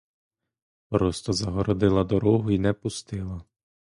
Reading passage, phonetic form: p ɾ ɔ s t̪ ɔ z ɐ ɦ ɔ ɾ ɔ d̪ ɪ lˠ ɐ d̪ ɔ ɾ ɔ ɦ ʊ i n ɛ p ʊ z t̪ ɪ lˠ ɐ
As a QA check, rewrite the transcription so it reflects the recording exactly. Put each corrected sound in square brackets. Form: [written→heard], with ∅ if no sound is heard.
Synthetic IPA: p ɾ ɔ s t̪ ɔ z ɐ ɦ ɔ ɾ ɔ d̪ ɪ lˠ ɐ d̪ ɔ ɾ ɔ ɦ ʊ i n ɛ p ʊ [z→s] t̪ ɪ lˠ ɐ